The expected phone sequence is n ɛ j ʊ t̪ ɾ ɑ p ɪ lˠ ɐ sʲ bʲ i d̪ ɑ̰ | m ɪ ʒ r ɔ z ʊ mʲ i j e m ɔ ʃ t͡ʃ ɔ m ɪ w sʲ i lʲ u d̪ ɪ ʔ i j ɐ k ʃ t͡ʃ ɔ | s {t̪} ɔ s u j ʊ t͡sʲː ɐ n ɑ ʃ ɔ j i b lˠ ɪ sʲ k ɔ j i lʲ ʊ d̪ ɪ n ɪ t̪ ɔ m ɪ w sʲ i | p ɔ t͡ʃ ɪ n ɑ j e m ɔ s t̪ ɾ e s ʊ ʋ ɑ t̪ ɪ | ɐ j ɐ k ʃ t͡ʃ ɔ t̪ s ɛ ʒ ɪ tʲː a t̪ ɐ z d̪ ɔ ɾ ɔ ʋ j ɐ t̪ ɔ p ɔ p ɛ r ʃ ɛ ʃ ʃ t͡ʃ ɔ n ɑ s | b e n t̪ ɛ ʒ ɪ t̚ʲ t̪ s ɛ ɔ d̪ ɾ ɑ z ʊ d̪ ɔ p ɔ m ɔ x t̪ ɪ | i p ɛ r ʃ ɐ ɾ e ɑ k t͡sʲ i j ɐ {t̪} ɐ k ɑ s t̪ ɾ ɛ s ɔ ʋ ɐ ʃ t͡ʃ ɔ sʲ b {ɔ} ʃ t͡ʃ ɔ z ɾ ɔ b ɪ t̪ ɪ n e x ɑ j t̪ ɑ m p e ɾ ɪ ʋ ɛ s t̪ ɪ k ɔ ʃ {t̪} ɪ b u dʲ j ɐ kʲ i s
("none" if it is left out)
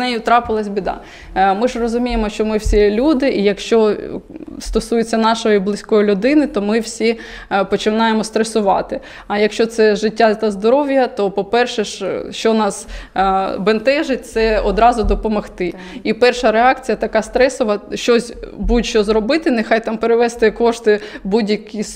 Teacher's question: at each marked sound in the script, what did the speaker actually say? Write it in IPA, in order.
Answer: t̪, t̪, u, t̪

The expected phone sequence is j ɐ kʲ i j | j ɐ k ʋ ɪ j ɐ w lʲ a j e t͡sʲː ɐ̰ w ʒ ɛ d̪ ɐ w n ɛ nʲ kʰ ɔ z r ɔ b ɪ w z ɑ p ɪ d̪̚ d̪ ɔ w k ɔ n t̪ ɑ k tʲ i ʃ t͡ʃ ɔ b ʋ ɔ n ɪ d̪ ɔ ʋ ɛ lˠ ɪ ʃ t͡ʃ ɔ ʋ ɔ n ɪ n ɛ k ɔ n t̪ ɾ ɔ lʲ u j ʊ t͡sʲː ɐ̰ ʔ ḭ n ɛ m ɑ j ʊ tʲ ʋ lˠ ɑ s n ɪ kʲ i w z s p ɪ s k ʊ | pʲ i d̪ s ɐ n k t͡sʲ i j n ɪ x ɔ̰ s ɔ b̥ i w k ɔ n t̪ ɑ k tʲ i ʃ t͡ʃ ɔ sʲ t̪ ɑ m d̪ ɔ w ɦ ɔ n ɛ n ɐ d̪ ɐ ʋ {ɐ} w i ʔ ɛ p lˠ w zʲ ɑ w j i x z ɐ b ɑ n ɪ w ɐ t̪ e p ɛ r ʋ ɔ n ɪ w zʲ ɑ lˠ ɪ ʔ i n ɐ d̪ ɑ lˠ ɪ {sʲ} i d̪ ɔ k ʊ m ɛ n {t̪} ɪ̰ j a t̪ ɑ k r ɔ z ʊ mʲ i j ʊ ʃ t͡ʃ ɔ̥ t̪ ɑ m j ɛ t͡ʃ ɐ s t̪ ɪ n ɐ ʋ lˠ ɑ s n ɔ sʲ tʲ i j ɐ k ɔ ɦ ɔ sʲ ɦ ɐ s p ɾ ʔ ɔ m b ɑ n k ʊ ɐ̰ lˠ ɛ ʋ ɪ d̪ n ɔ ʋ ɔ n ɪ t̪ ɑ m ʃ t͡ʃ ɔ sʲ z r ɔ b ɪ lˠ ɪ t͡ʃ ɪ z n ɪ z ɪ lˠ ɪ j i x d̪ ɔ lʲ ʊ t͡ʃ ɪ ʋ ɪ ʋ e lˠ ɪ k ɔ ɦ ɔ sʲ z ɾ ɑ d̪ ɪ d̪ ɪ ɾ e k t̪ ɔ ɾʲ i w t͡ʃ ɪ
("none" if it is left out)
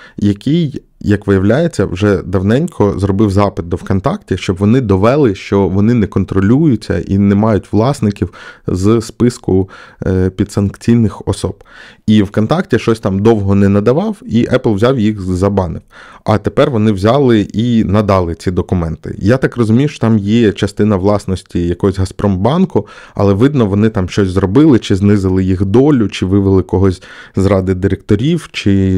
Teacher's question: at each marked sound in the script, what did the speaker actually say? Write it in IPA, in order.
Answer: ɑ, t͡sʲ, t̪

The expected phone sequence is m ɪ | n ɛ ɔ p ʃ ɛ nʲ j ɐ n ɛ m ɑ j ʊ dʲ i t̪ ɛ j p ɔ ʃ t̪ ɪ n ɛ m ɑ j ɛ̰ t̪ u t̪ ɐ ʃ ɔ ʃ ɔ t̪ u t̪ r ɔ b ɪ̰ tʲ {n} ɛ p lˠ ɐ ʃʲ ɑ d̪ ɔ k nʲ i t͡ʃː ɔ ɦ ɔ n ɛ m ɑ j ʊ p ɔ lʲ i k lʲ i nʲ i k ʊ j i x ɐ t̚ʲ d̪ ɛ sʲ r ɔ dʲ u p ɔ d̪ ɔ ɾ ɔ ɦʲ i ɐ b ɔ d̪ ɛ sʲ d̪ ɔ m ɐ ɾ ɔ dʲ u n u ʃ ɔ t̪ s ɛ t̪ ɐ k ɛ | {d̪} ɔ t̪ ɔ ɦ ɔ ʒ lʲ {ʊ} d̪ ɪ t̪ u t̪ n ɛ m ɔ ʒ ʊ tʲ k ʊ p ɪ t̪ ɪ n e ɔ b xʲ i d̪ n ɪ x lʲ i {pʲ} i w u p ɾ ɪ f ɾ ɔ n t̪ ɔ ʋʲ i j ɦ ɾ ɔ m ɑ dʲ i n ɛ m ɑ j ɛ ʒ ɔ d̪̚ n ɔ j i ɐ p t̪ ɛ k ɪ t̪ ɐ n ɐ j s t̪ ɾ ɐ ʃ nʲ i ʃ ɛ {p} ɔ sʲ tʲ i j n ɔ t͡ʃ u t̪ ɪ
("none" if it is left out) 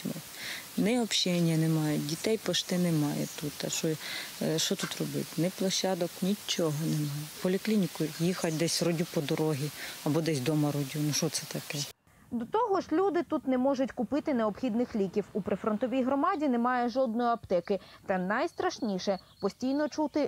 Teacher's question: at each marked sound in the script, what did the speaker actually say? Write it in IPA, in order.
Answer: n, d̪, u, kʲ, p

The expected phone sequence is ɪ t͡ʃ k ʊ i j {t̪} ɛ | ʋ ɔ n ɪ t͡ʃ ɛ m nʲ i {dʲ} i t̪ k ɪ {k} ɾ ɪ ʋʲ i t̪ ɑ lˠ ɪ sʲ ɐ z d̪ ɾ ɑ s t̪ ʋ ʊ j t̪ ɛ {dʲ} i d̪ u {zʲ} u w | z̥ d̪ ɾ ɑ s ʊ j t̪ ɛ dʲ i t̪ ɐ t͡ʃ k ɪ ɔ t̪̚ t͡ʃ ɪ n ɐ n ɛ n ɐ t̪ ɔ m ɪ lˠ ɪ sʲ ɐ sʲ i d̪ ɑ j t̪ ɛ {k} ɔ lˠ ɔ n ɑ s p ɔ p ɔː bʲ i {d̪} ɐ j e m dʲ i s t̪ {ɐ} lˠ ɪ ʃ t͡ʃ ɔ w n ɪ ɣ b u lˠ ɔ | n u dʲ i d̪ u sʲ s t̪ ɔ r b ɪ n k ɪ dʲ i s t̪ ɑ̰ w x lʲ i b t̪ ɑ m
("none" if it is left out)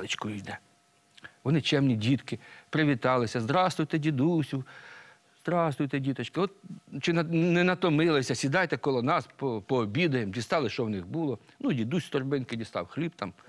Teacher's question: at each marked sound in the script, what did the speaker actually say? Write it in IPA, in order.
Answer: d̪, dʲ, p, dʲ, sʲ, k, d̪, ɑ

